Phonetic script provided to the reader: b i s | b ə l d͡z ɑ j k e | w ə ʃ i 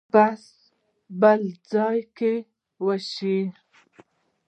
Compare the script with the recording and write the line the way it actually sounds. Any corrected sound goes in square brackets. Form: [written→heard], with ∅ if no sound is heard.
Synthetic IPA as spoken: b [i→a] s | b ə l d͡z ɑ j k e | w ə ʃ i